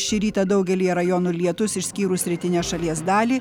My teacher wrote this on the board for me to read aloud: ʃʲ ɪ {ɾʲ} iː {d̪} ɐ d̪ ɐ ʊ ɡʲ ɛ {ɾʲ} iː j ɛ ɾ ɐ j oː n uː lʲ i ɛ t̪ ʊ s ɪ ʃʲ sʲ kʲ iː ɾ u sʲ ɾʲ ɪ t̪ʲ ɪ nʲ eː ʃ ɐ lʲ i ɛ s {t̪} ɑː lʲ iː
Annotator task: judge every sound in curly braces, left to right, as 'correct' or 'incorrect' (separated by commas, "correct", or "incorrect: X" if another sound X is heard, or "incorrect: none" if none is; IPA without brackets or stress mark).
correct, incorrect: t̪, incorrect: lʲ, incorrect: d̪